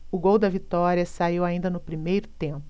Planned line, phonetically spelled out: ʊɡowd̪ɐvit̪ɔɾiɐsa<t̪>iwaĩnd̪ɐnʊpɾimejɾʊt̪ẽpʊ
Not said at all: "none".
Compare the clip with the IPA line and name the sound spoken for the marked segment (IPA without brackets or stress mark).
none